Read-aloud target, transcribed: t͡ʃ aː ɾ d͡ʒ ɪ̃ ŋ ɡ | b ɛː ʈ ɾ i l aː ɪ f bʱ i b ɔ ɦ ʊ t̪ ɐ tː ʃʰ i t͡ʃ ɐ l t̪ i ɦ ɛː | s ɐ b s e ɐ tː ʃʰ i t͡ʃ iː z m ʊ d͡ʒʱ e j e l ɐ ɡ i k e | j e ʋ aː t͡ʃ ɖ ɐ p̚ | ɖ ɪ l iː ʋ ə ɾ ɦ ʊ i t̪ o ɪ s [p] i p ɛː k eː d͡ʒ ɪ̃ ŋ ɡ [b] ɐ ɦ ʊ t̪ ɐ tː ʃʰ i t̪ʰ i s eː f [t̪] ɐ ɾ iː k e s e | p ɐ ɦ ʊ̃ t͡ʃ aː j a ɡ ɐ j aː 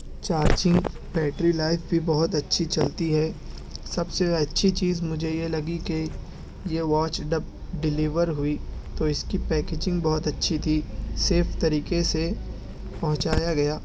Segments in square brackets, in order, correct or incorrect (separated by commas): incorrect, correct, correct